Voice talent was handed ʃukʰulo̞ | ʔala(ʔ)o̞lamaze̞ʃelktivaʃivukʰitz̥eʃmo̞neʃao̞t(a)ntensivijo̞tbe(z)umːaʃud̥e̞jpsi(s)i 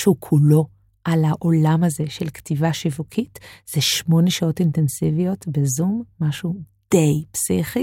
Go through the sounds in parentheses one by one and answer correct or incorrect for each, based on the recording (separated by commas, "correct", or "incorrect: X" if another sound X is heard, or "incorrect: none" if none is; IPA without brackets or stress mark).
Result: correct, incorrect: i, correct, incorrect: χ